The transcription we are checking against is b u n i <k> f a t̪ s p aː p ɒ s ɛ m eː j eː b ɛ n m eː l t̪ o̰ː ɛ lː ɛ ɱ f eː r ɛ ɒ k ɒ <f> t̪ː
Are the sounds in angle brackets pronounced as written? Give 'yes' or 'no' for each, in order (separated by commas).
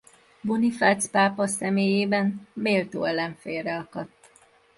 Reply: no, no